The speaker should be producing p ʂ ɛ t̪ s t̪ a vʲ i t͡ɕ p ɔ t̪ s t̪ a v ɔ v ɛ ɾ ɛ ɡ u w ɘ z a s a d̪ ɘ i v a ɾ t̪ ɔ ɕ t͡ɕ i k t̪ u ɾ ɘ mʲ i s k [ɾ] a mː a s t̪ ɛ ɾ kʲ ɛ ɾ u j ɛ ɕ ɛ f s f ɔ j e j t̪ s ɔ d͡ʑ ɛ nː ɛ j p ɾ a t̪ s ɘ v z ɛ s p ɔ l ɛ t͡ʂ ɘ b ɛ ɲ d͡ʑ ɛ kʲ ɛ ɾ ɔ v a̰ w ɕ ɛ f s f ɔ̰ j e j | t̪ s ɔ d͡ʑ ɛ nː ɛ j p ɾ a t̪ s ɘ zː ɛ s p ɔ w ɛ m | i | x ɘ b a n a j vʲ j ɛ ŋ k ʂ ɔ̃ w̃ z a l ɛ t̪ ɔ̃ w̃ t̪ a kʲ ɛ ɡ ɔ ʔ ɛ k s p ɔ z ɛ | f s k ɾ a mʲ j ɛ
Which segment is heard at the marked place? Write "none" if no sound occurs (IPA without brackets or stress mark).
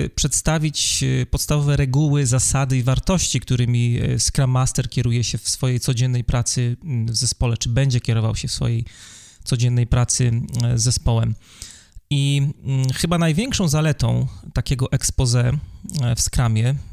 ɾ